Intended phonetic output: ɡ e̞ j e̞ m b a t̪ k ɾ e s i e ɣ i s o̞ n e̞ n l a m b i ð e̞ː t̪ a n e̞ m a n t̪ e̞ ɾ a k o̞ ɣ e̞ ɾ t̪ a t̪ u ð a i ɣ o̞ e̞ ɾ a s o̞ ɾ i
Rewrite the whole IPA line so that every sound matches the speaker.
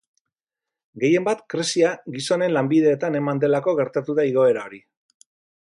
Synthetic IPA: ɡ e̞ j e̞ m b a t̪ k ɾ e s i a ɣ i s o̞ n e̞ n l a m b i ð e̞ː t̪ a n e̞ m a n d̪ e̞ l a k o̞ ɣ e̞ ɾ t̪ a t̪ u ð a i ɣ o̞ e̞ ɾ a o̞ ɾ i